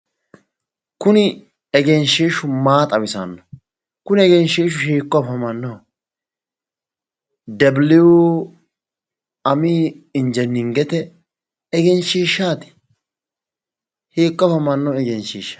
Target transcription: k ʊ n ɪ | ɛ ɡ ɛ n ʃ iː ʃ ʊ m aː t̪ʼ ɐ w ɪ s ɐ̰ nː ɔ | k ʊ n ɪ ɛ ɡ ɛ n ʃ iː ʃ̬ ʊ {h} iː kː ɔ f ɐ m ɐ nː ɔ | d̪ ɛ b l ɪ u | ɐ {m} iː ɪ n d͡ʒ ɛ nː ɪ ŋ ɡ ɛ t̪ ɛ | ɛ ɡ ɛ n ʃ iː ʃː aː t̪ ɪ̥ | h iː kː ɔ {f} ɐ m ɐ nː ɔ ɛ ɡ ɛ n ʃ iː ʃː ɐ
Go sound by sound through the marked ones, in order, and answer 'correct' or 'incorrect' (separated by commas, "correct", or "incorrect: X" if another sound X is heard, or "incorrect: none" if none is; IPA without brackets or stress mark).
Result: incorrect: ʃ, correct, correct